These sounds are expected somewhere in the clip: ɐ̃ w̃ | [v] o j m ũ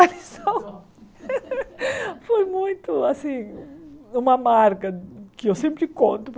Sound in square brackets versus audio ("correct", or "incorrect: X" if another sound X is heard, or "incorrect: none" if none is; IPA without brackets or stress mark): incorrect: f